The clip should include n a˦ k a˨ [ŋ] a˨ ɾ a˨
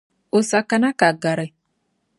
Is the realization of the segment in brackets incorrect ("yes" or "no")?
yes